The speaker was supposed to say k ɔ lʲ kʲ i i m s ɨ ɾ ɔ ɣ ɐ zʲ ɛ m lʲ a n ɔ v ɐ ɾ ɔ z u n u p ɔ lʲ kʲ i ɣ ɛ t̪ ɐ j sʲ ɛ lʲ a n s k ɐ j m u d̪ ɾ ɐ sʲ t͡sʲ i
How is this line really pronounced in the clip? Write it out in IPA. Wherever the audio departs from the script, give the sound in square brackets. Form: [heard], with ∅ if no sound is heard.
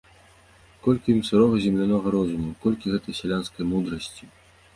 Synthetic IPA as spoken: k ɔ lʲ kʲ i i m s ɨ ɾ ɔ ɣ ɐ zʲ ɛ m lʲ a n ɔ [ɣ] ɐ ɾ ɔ z u [m] u [k] ɔ lʲ kʲ i ɣ ɛ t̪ ɐ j sʲ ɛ lʲ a n s k ɐ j m u d̪ ɾ ɐ sʲ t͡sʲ i